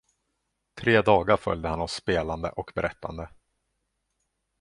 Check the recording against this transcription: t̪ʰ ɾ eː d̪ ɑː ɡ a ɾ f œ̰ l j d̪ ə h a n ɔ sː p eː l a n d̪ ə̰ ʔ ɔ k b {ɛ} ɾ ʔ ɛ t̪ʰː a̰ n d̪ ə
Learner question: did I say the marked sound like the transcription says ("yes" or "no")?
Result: yes